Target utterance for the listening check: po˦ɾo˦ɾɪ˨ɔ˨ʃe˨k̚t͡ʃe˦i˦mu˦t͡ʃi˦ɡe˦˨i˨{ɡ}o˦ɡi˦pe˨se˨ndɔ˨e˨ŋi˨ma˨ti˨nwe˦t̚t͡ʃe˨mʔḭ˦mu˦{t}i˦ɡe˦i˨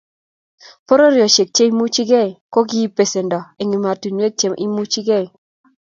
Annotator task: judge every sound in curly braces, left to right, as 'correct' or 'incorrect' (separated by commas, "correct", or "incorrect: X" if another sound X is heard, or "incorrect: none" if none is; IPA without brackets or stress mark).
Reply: incorrect: k, incorrect: t͡ʃ